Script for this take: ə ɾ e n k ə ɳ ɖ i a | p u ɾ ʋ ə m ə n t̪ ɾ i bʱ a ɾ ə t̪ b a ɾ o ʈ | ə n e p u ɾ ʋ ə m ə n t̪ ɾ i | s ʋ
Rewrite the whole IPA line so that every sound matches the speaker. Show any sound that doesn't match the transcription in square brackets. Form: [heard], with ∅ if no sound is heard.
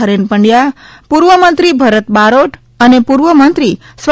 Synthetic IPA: ə ɾ e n [p] ə ɳ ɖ [j] a | p u ɾ ʋ ə m ə n t̪ ɾ i bʱ [ə] ɾ ə t̪ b a ɾ o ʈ | ə n e p u ɾ ʋ ə m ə n t̪ ɾ i | s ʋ